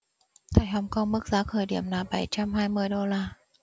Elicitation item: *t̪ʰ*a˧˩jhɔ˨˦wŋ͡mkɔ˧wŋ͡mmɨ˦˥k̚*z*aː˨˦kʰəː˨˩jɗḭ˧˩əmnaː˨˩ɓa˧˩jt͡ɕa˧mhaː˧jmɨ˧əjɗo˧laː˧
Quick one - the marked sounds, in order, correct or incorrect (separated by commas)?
correct, correct